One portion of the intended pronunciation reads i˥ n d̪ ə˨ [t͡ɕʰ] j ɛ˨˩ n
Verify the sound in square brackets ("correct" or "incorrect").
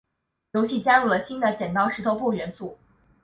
incorrect